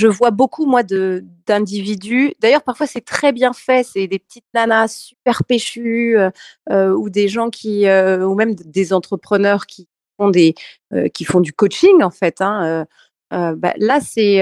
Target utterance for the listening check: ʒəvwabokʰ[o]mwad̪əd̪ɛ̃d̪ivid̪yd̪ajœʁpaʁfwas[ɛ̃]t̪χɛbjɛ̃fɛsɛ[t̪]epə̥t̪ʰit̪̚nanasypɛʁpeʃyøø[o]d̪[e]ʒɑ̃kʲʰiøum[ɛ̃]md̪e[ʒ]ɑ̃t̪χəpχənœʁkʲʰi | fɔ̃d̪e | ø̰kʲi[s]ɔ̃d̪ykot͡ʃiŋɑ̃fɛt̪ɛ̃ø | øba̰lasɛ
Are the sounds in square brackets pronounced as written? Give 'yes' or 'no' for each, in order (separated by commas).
no, no, no, no, yes, no, no, no